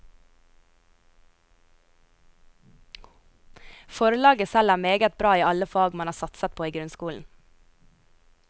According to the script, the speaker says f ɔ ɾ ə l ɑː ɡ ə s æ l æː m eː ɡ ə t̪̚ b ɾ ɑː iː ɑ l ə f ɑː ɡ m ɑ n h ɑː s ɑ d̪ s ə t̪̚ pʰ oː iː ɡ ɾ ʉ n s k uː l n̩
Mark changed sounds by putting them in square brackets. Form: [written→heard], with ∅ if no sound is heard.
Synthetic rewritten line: f ɔ ɾ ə l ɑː ɡ ə s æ l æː m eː ɡ ə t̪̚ b ɾ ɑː iː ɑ l ə f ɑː ɡ m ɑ n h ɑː s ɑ [d̪→t̪] s ə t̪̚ pʰ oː iː ɡ ɾ ʉ n s k uː l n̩